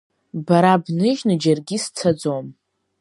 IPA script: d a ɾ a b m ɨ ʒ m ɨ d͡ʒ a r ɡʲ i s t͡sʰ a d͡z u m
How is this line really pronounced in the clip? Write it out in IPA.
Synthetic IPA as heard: b a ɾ a b n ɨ ʒ n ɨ d͡ʒ a r ɡʲ i s t͡sʰ a d͡z o m